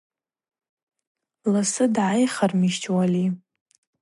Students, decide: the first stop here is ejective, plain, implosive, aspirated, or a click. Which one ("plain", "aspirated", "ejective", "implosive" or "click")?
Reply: plain